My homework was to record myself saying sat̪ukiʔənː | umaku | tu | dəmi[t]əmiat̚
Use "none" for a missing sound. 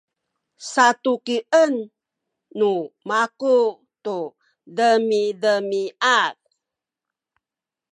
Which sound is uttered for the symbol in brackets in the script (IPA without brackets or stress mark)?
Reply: d